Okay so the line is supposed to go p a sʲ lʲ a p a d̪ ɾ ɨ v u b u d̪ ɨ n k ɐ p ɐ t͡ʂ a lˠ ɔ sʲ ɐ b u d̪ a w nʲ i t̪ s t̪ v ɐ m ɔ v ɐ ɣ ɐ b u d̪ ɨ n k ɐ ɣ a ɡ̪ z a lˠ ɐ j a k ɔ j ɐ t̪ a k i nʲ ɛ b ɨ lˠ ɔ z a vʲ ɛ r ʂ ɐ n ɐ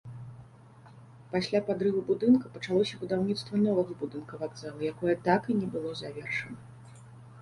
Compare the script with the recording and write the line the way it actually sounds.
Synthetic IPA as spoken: p a sʲ lʲ a p a d̪ ɾ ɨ v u b u d̪ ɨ n k ɐ p ɐ t͡ʂ a lˠ ɔ sʲ ɐ b u d̪ a w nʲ i t̪ s t̪ v ɐ n ɔ v ɐ ɣ ɐ b u d̪ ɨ n k ɐ v a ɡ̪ z a lˠ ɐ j a k ɔ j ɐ t̪ a k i nʲ ɛ b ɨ lˠ ɔ z a vʲ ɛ r ʂ ɐ n ɐ